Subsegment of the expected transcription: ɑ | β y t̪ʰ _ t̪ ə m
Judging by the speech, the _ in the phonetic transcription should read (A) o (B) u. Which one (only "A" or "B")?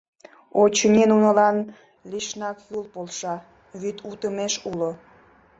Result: B